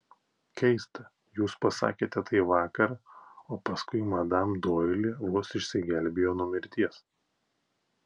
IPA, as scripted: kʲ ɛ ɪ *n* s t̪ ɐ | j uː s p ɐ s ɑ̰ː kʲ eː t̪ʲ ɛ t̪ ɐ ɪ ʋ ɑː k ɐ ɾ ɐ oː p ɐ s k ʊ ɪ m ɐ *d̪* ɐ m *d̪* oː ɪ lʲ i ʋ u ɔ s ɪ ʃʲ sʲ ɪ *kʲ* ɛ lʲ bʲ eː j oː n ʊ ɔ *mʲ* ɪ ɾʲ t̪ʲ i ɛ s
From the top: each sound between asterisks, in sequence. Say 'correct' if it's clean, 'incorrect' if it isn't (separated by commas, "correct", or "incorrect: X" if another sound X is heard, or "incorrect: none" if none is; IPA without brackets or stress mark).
incorrect: none, correct, correct, incorrect: ɡʲ, correct